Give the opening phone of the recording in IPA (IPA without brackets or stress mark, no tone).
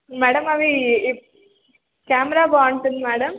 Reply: m